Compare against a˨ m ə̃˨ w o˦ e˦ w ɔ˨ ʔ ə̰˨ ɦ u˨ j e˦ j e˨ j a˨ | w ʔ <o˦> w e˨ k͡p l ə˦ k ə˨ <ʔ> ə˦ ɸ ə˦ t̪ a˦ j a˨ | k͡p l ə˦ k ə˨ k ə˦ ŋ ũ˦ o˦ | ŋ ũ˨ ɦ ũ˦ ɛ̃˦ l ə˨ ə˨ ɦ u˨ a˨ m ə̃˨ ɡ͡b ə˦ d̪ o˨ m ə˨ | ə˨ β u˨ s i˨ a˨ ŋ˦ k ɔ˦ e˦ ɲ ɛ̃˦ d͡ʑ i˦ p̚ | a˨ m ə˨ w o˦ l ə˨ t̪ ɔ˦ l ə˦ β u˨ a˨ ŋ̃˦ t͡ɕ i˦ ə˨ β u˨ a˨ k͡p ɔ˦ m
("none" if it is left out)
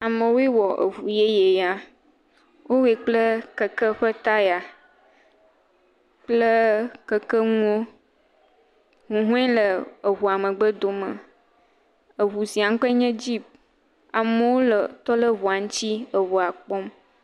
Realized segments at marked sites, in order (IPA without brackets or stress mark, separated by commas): o˦, k